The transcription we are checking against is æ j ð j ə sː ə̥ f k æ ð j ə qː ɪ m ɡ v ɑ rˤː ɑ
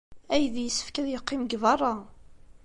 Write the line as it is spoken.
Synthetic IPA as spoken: æ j ð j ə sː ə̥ f k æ ð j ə qː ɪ m ɡ v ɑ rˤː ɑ

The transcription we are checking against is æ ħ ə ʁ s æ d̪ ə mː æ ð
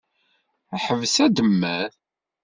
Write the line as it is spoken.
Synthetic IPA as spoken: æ ħ ə v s æ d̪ ə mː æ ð

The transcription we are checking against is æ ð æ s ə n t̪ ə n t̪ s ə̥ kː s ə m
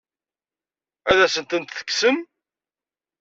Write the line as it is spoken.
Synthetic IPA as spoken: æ ð æ s ə n t̪ ə n t̪ θ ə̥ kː s ə m

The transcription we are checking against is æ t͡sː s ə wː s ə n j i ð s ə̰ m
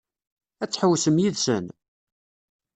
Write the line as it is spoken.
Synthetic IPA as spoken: æ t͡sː ħ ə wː s ə m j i ð s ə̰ n

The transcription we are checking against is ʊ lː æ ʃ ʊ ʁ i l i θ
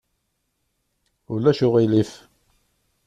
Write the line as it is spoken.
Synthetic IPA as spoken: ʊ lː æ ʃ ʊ ʁ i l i f

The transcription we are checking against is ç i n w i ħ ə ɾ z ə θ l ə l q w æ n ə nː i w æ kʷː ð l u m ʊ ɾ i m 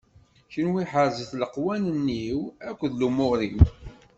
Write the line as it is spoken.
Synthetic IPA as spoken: ç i n w i ħ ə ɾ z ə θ l ə q w æ n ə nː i w æ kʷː ð l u m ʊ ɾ i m

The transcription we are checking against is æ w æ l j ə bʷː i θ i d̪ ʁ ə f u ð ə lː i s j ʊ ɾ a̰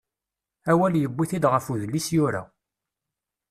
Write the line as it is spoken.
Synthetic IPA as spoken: æ w æ l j ə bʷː i θ i d̪ ʁ ə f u ð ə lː i s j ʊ ɾ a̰

